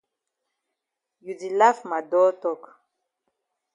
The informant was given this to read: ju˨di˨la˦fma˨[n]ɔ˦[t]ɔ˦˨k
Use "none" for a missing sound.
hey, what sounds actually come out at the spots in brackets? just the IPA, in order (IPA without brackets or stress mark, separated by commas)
d, t